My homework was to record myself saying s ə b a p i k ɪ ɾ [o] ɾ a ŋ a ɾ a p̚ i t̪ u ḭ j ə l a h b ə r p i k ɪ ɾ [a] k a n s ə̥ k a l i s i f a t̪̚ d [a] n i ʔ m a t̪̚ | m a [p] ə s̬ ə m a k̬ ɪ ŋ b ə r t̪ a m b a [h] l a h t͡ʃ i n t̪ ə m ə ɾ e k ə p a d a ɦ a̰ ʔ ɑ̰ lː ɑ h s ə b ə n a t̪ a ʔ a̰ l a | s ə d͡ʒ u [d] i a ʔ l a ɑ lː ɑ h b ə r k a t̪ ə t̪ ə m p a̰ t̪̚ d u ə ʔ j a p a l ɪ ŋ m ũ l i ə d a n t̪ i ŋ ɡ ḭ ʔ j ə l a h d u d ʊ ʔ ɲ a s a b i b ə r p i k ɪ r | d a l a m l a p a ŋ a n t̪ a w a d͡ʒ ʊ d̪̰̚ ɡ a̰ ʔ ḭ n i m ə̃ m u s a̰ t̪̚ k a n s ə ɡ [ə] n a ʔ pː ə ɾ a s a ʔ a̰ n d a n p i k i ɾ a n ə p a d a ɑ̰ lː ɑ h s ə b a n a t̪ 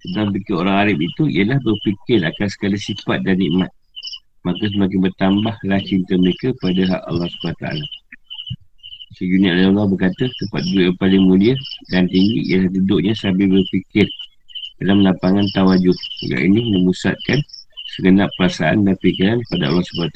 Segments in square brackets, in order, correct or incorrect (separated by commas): correct, correct, correct, incorrect, correct, incorrect, correct